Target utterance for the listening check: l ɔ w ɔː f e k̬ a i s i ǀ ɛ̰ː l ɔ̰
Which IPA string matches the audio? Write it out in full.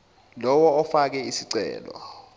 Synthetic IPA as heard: l ɔ w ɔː f a k̬ ɛ i s i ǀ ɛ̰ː l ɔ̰